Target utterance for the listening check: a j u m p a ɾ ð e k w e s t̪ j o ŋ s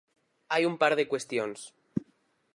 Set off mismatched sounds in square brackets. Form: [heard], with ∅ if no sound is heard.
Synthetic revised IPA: a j u m p a ɾ ð e k w e s t̪ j o [n] s